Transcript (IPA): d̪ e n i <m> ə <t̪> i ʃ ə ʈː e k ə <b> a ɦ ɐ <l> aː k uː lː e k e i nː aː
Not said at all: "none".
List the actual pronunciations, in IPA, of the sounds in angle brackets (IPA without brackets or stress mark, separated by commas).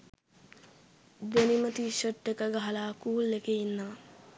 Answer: m, t̪, ɡ, l